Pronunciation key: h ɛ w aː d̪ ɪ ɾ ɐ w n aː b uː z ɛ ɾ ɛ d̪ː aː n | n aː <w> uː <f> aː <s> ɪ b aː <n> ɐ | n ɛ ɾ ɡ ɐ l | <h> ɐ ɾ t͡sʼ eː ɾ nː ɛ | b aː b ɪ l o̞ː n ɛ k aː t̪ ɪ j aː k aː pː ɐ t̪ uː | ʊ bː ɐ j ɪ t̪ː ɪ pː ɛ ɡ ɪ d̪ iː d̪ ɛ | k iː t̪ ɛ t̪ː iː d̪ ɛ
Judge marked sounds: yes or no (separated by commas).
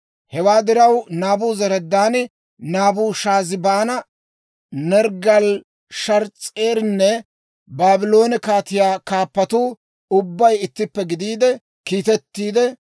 no, no, no, yes, no